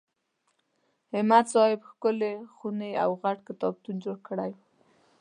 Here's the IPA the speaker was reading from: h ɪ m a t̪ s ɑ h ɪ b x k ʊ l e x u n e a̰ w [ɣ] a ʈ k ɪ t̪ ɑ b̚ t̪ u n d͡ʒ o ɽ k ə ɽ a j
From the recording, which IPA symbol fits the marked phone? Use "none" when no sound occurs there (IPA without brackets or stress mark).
ɣ